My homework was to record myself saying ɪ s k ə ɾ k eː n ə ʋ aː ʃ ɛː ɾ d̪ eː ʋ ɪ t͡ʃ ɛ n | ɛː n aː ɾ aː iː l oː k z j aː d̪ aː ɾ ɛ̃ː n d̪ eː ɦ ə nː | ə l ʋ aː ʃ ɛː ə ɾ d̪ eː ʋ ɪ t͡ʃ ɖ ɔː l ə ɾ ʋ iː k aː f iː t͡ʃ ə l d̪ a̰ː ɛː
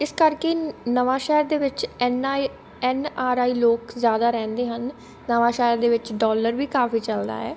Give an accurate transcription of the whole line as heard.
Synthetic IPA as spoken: ɪ s k ə ɾ k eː n ə ʋ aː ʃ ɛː ɾ d̪ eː ʋ ɪ t͡ʃ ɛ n | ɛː n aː ɾ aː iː l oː k z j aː d̪ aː ɾ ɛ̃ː n d̪ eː ɦ ə nː | ə ʋ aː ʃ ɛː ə ɾ d̪ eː ʋ ɪ t͡ʃ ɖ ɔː l ə ɾ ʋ iː k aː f iː t͡ʃ ə l d̪ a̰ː ɛː